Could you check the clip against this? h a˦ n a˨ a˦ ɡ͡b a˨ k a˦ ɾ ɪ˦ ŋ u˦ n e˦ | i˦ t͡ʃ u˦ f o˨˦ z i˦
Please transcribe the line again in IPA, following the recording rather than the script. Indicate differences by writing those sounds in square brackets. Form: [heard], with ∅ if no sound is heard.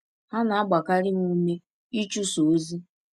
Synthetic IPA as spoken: h a˦ n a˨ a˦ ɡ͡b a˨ k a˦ ɾ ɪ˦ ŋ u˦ [m] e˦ | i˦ t͡ʃ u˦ [s] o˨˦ z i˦